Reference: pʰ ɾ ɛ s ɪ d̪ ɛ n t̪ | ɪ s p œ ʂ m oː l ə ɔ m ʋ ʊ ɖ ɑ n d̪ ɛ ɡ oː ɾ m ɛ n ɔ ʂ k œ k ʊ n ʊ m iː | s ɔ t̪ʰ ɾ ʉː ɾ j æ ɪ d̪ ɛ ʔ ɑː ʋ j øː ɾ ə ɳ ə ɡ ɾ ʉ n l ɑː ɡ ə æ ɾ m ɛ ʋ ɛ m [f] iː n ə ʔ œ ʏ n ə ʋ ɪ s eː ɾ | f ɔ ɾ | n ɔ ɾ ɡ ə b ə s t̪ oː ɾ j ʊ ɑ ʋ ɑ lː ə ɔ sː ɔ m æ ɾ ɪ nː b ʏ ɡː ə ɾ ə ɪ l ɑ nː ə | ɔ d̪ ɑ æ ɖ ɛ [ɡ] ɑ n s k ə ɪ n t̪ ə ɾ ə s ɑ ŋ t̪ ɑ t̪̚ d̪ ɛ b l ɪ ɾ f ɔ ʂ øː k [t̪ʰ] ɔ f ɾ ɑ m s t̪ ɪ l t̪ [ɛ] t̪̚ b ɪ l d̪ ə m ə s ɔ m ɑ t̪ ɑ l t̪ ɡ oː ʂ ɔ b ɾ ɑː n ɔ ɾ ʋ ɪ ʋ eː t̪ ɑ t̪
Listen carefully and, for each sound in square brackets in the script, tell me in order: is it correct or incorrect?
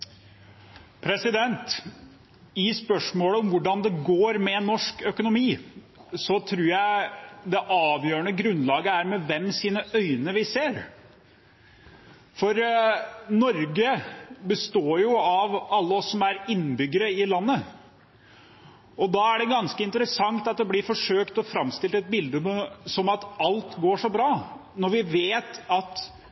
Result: incorrect, correct, incorrect, correct

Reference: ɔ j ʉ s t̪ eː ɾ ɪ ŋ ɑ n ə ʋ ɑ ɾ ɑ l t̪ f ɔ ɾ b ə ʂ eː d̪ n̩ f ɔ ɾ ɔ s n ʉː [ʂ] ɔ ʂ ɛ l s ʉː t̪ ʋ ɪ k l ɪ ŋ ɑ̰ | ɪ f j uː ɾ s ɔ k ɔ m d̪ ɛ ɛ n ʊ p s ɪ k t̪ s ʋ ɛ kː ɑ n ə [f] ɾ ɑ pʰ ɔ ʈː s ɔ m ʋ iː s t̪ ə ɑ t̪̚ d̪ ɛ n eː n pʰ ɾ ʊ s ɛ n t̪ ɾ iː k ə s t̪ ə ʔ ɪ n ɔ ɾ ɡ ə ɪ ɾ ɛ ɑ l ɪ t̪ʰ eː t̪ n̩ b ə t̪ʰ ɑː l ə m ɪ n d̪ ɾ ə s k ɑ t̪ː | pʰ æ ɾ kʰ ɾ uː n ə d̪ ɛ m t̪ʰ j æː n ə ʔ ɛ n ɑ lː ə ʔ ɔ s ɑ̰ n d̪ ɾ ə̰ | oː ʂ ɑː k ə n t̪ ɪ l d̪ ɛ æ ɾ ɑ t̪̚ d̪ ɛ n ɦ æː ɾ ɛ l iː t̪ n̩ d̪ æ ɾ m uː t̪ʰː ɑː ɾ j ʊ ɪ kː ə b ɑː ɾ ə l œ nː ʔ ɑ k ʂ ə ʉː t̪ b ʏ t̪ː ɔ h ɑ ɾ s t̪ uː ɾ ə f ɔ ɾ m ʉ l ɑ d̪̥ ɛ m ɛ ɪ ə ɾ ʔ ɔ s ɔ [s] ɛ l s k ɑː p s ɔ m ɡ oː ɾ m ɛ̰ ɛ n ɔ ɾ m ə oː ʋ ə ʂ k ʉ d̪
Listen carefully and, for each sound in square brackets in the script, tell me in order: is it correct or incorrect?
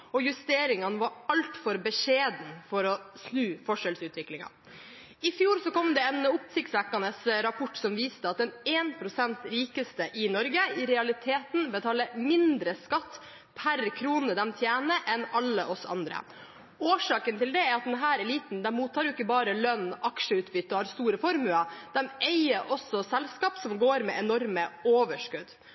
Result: incorrect, incorrect, correct

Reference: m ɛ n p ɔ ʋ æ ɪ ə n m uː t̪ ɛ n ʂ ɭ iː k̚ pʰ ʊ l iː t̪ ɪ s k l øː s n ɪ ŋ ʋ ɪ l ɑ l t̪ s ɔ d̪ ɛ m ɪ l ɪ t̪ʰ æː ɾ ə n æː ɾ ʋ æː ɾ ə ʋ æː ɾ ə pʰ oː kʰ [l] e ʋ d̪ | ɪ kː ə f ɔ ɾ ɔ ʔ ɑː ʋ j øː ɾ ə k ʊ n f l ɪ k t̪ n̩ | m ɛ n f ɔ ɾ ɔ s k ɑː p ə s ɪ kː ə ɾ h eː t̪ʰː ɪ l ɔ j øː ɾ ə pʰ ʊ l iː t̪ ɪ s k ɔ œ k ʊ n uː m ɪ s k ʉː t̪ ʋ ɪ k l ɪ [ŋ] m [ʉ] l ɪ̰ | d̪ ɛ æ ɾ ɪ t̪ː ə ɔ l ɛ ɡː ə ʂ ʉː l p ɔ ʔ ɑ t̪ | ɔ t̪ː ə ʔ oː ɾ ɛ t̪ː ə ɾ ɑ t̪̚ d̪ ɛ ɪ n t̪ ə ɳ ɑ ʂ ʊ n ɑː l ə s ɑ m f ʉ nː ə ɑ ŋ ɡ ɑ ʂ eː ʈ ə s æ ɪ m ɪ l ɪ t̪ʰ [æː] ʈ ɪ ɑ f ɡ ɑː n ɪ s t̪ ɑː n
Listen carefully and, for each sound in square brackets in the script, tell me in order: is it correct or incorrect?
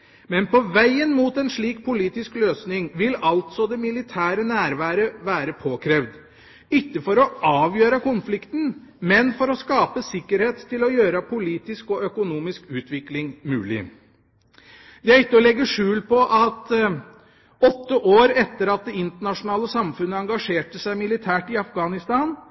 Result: incorrect, correct, incorrect, correct

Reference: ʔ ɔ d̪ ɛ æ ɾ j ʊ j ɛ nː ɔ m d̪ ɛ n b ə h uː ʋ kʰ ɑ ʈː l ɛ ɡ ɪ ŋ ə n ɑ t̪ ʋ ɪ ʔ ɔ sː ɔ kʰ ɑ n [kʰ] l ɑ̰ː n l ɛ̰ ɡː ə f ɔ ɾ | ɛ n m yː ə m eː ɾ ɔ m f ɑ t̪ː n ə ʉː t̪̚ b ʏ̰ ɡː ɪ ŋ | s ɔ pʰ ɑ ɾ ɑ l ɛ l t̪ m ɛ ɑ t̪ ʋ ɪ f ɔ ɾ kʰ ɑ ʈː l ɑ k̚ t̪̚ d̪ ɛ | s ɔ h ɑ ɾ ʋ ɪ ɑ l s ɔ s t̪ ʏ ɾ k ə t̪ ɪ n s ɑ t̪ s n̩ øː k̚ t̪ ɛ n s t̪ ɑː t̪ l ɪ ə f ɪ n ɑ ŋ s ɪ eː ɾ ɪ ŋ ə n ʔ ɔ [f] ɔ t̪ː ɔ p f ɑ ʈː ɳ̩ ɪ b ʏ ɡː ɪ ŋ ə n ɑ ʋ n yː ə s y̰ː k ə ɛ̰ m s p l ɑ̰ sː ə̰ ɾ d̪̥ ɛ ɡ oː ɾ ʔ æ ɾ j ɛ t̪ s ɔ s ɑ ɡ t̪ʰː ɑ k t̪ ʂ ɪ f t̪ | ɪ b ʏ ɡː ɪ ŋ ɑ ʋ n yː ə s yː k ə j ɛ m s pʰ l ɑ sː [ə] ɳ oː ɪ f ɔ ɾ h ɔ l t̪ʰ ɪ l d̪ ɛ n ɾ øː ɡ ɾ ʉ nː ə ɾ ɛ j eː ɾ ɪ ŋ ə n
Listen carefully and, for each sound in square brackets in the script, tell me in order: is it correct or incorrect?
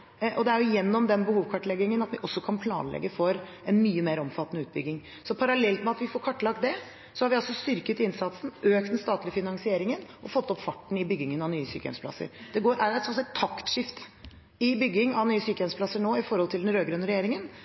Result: incorrect, correct, correct

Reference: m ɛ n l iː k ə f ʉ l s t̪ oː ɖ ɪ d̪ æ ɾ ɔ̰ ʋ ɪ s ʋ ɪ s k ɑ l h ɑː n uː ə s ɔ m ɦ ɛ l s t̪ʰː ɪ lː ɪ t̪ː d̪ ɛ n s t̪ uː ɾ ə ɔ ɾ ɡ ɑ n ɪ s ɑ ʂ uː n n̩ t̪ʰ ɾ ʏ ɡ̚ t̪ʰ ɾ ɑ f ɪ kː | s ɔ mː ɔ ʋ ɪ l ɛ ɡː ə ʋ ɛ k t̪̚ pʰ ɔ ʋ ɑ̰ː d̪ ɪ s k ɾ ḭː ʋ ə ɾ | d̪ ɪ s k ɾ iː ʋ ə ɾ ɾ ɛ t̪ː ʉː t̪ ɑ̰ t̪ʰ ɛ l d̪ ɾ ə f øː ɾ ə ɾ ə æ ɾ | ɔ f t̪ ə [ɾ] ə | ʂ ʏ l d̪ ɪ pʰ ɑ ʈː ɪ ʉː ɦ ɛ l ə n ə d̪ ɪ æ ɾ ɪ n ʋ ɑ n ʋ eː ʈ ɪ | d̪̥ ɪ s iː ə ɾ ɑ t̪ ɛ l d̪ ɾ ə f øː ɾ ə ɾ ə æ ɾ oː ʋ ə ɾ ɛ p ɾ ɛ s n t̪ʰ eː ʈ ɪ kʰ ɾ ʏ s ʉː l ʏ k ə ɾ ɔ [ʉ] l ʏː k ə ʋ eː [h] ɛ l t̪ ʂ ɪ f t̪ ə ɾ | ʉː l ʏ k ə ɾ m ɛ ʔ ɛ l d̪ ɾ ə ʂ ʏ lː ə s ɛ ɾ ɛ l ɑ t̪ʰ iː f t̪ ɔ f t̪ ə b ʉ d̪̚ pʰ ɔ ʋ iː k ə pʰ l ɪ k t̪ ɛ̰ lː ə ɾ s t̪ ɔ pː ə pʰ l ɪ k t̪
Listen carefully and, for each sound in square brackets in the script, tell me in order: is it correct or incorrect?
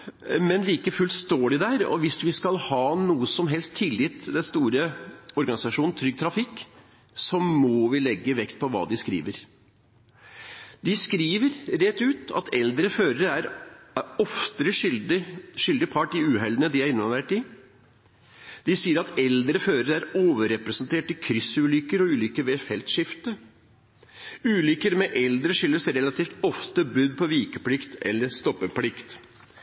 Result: correct, incorrect, incorrect

